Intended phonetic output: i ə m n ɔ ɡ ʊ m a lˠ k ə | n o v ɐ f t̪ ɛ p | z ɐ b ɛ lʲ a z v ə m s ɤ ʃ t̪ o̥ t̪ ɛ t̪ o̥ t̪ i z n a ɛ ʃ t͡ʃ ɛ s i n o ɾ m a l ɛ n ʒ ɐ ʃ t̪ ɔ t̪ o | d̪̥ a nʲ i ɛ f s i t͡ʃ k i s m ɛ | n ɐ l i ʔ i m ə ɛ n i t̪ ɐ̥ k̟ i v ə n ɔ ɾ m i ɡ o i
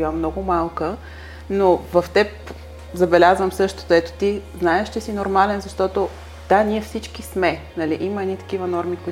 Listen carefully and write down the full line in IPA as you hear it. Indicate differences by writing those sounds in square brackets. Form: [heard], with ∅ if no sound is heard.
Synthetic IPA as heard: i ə m n ɔ ɡ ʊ m a lˠ k ə | n o v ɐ f t̪ ɛ p | z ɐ b ɛ lʲ a z v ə m s ɤ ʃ t̪ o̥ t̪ ɛ t̪ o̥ t̪ i z n a ɛ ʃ t͡ʃ ɛ s i n o ɾ m a l ɛ n [z] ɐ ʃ t̪ ɔ t̪ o | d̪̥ a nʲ i ɛ f s i t͡ʃ k i s m ɛ | n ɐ l i ʔ i m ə ɛ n i t̪ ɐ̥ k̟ i v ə n ɔ ɾ m i [k] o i